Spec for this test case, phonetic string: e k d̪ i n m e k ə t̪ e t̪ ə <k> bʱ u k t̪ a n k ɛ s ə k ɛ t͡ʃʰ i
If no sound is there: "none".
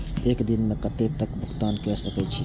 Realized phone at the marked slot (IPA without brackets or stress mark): k